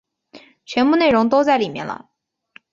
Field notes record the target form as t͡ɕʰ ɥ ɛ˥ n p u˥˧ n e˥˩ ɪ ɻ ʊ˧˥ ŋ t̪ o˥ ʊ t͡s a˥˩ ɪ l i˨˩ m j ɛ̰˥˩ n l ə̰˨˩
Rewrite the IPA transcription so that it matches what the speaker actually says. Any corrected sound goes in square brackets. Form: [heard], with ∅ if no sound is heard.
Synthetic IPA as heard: t͡ɕʰ ɥ [ɛ˧˥] n p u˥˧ n e˥˩ ɪ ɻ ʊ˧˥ ŋ t̪ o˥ ʊ t͡s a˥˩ ɪ l i˨˩ m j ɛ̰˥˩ n l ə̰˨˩